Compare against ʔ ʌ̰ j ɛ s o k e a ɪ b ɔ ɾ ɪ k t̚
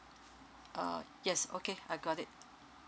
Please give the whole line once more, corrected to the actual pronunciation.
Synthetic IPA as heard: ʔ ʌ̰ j ɛ s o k e a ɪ ɡ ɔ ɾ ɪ t̚